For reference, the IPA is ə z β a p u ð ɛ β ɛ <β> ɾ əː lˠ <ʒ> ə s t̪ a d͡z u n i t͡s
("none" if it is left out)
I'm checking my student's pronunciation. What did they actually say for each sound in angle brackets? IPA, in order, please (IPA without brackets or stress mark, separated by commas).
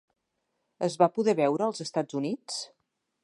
w, z